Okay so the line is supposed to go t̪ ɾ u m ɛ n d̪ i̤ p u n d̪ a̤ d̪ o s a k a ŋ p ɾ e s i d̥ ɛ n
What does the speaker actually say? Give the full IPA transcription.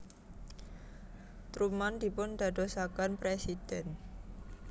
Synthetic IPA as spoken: t̪ ɾ u m a n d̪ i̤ p ʊ n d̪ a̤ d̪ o s a k a n p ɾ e s i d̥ ɛ n